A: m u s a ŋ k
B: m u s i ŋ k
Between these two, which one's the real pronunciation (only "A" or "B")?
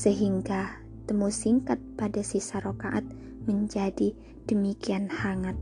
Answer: B